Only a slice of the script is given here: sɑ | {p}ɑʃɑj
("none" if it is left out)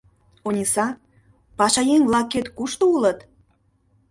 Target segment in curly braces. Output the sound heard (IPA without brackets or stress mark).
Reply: p